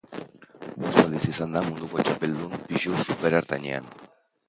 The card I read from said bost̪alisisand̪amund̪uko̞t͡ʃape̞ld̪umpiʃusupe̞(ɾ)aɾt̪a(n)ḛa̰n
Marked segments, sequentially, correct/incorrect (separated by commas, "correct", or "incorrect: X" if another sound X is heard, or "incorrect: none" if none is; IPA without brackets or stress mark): correct, incorrect: ɲ